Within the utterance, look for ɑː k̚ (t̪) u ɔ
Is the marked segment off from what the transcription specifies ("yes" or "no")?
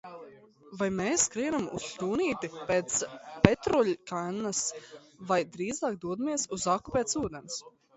yes